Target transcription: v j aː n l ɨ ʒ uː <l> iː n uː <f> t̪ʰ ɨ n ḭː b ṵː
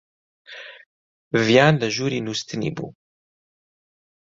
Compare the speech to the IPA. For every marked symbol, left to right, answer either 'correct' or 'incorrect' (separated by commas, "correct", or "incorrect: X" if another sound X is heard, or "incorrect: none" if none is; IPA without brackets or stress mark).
incorrect: ɾ, incorrect: s